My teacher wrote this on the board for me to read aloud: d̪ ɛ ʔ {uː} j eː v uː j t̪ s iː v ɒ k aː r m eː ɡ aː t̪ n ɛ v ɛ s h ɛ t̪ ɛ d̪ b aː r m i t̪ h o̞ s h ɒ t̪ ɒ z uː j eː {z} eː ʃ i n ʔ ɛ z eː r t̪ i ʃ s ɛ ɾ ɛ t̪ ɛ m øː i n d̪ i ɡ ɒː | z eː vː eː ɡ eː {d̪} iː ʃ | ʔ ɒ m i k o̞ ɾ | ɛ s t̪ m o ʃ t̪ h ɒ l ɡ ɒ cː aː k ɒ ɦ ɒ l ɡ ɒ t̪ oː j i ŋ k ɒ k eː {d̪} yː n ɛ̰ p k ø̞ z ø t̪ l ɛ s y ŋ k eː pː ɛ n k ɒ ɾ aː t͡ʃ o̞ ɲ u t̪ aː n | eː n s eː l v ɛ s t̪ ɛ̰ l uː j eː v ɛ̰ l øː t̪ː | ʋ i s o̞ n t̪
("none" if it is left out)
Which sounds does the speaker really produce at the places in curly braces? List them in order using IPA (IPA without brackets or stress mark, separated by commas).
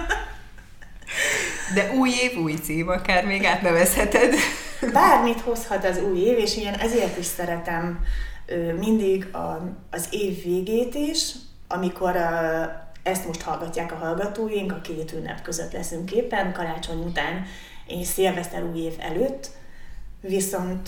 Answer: uː, v, t̪, t̪